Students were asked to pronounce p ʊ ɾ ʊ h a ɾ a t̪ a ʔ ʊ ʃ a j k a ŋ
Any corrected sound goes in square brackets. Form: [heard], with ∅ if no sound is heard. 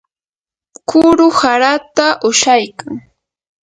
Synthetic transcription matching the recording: [k] ʊ ɾ ʊ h a ɾ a t̪ a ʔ ʊ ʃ a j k a ŋ